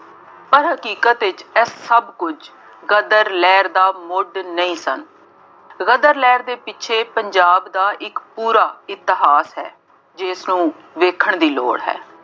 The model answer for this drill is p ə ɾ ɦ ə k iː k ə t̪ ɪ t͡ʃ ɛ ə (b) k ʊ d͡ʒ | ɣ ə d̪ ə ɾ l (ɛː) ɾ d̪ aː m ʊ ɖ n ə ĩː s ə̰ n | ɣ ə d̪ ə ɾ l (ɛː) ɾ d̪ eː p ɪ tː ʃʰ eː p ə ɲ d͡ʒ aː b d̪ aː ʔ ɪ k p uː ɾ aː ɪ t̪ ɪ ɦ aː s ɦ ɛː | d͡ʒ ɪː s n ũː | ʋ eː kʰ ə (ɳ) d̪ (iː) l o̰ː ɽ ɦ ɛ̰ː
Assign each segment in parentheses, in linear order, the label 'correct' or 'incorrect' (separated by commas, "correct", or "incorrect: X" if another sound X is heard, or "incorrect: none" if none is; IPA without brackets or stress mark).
correct, correct, correct, correct, correct